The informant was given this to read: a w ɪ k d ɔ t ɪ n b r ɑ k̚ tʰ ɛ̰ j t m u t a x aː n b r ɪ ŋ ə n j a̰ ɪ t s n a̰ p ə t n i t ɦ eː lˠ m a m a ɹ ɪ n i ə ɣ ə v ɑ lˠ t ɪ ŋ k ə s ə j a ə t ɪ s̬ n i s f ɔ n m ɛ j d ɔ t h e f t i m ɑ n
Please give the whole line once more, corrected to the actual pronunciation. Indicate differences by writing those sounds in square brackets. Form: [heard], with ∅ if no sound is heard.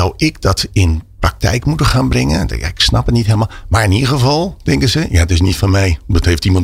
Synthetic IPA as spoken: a w ɪ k d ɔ t ɪ n [p] r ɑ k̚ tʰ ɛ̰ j [k] m u t [ə] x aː n b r ɪ ŋ ə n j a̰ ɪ [k] s n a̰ p ə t n i t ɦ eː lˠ m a m a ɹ ɪ n i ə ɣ ə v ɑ lˠ t ɪ ŋ k ə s ə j a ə t ɪ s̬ n i [t] f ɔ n m ɛ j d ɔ t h e f t i m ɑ n